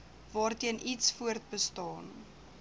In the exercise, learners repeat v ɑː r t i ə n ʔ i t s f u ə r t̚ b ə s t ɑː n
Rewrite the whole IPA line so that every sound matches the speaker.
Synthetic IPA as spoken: v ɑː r t i ə n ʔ i t s f u ə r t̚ b ə s t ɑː n